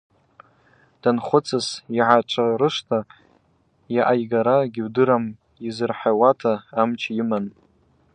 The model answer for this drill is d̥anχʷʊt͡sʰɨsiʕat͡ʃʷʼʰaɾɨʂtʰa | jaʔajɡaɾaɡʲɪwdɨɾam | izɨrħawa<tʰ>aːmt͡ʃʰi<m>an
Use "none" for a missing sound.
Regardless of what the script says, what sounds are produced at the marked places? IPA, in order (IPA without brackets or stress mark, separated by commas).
tʰ, m